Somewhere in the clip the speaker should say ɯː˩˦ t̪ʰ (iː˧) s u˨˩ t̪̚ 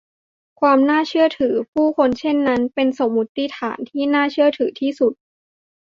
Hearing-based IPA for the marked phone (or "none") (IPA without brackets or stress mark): iː˥˩